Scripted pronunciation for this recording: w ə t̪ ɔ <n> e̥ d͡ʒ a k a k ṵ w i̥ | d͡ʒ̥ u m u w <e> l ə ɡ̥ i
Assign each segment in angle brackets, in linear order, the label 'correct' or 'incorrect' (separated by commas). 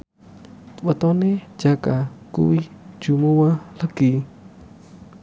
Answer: correct, incorrect